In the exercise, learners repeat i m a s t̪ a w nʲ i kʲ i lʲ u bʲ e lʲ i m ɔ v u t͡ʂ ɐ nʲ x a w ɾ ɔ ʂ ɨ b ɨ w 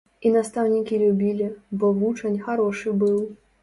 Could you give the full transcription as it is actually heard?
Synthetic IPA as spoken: i n a s t̪ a w nʲ i kʲ i lʲ u bʲ i lʲ i b ɔ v u t͡ʂ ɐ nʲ x a ɾ ɔ ʂ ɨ b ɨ w